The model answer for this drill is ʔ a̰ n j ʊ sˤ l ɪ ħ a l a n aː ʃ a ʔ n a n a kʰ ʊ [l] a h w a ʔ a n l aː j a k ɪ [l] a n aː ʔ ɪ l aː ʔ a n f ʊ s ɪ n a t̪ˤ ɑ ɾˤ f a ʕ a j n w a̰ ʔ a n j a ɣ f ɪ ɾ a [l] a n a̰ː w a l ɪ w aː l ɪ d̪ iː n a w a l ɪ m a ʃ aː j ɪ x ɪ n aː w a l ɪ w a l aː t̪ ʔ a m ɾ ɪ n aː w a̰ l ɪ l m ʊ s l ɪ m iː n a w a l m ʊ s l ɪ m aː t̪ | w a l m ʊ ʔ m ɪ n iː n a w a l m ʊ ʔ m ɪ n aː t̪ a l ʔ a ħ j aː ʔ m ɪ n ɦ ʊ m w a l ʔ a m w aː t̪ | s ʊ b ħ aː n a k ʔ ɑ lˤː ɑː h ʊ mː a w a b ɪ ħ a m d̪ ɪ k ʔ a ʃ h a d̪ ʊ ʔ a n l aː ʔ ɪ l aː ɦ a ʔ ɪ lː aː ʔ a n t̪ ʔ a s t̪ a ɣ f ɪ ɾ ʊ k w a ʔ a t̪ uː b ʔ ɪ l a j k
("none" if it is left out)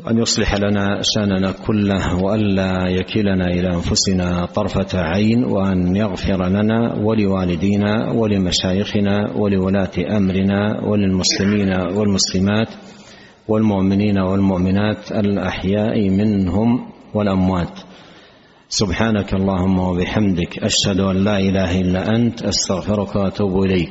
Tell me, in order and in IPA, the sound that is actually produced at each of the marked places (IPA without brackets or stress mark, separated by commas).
lː, l, l